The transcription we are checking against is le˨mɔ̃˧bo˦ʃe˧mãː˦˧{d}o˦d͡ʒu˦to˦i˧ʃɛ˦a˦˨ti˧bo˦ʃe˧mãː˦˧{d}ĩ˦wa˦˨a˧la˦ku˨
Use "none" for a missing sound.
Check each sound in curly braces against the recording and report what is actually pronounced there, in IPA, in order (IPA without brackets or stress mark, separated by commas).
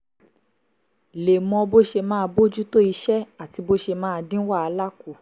b, d